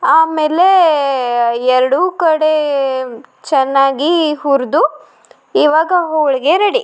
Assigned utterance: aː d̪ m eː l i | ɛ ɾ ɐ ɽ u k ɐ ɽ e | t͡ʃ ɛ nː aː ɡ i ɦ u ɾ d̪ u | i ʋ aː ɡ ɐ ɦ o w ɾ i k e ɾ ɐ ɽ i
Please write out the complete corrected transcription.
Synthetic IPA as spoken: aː m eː l e | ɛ ɾ ɐ ɽ u k ɐ ɽ e | t͡ʃ ɛ nː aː ɡ i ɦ u ɾ d̪ u | i ʋ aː ɡ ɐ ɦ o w ɭ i ɡ e ɾ ɐ ɽ i